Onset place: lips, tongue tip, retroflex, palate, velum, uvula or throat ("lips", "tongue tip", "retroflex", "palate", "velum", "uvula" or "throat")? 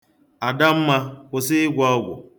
tongue tip